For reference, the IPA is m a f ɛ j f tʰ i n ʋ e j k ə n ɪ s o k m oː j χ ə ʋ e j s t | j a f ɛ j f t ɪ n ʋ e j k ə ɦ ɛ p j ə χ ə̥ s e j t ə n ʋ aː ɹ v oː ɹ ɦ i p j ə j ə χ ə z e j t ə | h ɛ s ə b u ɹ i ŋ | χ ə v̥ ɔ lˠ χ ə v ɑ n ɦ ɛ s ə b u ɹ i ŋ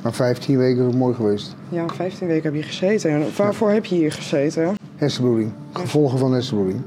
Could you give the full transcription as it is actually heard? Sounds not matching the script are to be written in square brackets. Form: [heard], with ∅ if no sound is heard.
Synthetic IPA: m a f ɛ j f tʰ i n ʋ e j k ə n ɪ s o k m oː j χ ə ʋ e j s t | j a f ɛ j f t [i] n ʋ e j k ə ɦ ɛ p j ə χ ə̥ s e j t ə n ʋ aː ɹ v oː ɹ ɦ [ɛ] p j ə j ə χ ə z e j t ə | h ɛ s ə b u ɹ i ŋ | χ ə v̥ ɔ lˠ χ ə v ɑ n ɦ ɛ s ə b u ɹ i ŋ